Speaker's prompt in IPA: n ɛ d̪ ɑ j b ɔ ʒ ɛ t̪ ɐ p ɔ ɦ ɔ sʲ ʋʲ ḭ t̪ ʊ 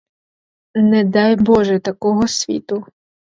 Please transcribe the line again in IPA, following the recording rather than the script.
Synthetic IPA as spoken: n ɛ d̪ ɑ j b ɔ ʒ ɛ t̪ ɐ k ɔ ɦ ɔ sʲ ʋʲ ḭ t̪ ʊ